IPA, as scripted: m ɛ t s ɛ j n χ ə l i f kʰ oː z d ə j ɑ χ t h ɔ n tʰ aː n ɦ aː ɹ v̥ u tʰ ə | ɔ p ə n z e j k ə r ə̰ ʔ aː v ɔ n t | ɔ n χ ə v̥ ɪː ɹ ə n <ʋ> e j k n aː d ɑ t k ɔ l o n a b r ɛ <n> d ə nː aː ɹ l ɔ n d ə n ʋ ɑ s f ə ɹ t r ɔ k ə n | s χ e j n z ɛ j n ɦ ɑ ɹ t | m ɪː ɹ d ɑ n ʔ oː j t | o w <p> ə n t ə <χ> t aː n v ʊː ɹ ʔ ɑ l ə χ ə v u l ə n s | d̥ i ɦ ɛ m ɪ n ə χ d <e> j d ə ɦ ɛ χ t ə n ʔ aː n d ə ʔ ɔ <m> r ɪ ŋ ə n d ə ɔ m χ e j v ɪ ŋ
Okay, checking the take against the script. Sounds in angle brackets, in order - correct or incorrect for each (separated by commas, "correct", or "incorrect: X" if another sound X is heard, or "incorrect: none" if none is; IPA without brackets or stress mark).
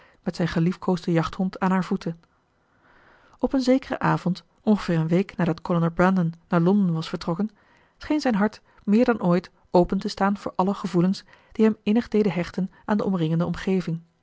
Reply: correct, correct, correct, incorrect: s, correct, correct